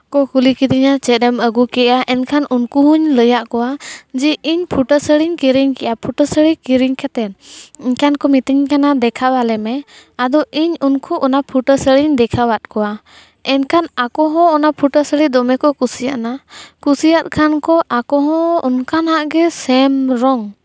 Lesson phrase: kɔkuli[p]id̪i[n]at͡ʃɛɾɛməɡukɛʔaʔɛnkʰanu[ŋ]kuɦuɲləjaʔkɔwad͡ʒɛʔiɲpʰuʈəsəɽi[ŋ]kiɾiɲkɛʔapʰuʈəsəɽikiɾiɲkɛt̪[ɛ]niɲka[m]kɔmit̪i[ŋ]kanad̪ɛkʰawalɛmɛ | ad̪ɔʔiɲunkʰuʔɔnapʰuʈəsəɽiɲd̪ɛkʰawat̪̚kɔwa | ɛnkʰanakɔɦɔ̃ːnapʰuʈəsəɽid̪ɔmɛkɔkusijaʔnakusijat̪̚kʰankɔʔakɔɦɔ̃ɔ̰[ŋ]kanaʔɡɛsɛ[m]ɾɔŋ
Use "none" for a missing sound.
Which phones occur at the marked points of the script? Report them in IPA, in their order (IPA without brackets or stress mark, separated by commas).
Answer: k, ɲ, n, ɲ, ɛ, n, ɲ, n, m